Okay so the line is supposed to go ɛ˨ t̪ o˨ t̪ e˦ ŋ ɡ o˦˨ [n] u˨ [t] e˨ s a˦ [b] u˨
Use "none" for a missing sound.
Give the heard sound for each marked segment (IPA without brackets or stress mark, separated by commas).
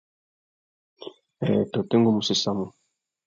m, s, m